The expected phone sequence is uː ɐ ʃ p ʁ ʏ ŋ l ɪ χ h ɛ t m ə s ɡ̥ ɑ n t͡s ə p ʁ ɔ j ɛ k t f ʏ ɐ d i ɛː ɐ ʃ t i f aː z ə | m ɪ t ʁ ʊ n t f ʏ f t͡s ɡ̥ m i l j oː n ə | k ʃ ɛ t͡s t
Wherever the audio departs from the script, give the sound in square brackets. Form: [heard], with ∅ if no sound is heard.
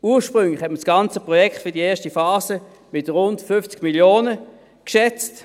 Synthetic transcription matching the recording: uː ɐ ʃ p ʁ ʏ ŋ l ɪ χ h ɛ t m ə s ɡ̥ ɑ n t͡s ə p ʁ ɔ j ɛ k t f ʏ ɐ d i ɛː ɐ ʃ t i f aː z ə | m ɪ t ʁ ʊ n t f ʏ f t͡s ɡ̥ m i l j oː n ə | k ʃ ɛ t͡s t